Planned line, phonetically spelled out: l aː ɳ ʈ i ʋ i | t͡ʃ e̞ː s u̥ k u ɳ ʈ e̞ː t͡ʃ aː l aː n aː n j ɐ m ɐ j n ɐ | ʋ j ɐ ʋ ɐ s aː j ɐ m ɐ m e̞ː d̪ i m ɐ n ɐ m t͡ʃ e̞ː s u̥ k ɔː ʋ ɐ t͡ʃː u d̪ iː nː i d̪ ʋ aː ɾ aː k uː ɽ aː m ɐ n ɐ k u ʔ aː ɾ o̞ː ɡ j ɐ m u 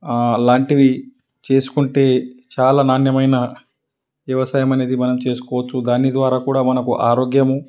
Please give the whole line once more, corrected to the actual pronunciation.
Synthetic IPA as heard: l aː ɳ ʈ i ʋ i | t͡ʃ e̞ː s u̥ k u ɳ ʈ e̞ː t͡ʃ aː l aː n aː n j ɐ m ɐ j n ɐ | ʋ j ɐ ʋ ɐ s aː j ɐ m ɐ n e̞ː d̪ i m ɐ n ɐ m t͡ʃ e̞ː s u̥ k ɔː ʋ ɐ t͡ʃː u d̪ aː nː i d̪ ʋ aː ɾ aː k uː ɽ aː m ɐ n ɐ k u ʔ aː ɾ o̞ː ɡ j ɐ m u

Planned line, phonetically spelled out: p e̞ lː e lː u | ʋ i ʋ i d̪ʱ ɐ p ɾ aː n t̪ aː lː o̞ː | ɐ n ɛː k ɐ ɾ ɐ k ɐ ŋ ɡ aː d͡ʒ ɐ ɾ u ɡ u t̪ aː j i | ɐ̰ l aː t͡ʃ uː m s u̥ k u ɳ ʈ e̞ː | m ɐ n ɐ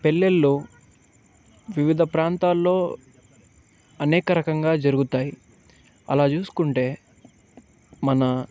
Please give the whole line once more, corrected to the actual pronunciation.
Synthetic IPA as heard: p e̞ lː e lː u | ʋ i ʋ i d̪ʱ ɐ p ɾ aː n t̪ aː lː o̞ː | ɐ n ɛː k ɐ ɾ ɐ k ɐ ŋ ɡ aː d͡ʒ ɐ ɾ u ɡ u t̪ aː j i | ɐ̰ l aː t͡ʃ uː s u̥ k u ɳ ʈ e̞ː | m ɐ n ɐ

